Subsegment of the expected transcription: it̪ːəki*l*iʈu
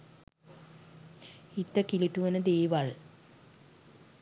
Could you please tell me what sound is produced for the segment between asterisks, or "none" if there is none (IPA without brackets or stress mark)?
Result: l